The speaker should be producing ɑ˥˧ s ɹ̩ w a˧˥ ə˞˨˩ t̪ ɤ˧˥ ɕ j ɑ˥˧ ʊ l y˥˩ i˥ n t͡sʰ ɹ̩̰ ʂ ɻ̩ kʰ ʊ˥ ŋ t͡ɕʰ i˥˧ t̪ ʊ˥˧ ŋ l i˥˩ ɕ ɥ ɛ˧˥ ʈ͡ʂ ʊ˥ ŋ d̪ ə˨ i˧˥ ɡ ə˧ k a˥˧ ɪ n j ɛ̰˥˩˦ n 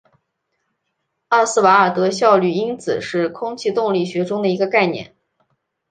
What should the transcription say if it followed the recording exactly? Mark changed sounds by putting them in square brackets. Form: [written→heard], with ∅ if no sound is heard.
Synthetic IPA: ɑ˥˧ s ɹ̩ w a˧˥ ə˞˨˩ t̪ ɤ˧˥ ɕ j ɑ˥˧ ʊ l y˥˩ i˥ n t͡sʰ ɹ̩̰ ʂ ɻ̩ kʰ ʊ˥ ŋ t͡ɕʰ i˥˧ t̪ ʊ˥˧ ŋ l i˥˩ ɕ ɥ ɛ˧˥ ʈ͡ʂ ʊ˥ ŋ d̪ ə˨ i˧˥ ɡ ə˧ k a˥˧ ɪ n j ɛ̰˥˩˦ n